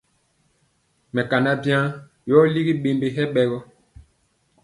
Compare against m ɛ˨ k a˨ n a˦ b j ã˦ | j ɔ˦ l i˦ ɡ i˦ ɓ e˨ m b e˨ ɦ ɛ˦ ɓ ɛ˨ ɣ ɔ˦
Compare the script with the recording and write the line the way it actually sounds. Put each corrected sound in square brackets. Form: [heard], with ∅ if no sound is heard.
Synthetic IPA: m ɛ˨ k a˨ n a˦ b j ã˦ | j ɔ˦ l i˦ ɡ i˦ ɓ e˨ m b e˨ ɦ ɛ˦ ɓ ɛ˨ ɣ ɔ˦